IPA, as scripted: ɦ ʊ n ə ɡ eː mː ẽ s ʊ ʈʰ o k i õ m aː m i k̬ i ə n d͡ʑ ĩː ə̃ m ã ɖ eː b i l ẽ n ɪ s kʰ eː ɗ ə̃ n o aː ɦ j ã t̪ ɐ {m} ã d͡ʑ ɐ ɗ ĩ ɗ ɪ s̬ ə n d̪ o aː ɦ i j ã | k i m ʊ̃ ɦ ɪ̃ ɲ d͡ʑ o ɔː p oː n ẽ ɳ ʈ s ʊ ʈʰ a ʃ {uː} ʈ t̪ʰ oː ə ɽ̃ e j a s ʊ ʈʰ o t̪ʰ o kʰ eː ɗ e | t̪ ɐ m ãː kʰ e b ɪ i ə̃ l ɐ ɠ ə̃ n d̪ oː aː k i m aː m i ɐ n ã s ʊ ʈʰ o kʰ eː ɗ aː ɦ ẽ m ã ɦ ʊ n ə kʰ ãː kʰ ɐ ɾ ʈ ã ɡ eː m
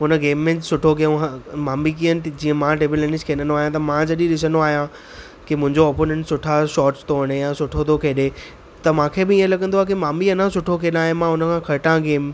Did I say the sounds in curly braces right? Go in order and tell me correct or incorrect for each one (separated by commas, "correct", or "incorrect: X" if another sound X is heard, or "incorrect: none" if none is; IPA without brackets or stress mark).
correct, incorrect: ɔː